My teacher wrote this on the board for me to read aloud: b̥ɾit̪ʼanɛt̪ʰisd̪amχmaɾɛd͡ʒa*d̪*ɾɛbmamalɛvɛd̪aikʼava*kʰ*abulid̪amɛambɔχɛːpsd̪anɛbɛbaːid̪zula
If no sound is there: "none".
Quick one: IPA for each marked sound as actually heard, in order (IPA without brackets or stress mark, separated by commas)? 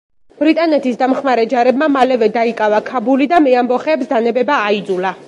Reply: none, kʰ